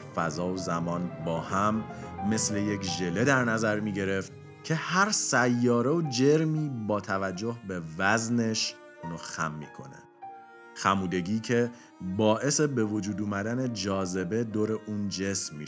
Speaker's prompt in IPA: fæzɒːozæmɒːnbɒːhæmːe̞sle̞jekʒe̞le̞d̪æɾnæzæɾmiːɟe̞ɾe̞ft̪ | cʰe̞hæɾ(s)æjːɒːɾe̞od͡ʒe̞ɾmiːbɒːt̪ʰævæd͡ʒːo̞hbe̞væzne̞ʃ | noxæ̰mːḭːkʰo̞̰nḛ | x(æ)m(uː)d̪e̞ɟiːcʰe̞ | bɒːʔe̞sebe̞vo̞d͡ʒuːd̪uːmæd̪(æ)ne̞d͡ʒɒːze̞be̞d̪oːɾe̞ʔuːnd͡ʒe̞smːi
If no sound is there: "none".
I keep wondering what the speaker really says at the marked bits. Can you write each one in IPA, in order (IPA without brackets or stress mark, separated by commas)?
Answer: s, æ, uː, æ